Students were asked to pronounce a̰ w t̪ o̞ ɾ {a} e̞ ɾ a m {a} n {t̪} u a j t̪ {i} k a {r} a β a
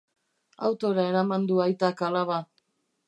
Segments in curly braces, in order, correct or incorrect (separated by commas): correct, correct, incorrect, incorrect, incorrect